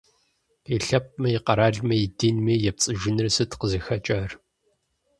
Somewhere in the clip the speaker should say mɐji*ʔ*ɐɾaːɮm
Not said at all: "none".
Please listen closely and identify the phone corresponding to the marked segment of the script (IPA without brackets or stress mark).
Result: q